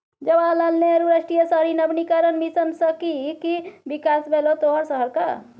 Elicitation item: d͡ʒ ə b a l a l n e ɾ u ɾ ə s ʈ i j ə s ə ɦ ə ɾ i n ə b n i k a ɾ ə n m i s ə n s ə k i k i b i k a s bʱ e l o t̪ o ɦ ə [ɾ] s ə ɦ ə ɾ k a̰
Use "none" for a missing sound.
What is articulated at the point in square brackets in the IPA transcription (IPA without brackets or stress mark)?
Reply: ɾ